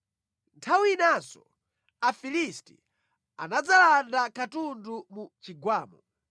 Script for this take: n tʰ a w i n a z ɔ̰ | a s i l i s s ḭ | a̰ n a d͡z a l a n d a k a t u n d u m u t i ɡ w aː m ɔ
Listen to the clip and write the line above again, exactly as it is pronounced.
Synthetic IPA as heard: n tʰ a w i n a s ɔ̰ | a f i l i s t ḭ | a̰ n a d͡z a l a n d a k a t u n d u m u t͡ʃ i ɡ w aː m ɔ